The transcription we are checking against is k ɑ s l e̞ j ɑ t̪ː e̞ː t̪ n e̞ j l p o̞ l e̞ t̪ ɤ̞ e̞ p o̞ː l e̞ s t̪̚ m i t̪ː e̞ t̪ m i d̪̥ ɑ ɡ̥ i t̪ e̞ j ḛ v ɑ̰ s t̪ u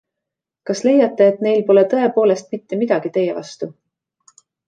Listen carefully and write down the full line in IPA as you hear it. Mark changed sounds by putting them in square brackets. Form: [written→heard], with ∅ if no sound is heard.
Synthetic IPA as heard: k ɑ s l e̞ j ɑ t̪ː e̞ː t̪ n e̞ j l p o̞ l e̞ t̪ ɤ̞ e̞ p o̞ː l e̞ s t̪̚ m i t̪ː e̞ [t̪→∅] m i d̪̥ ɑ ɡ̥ i t̪ e̞ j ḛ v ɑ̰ s t̪ u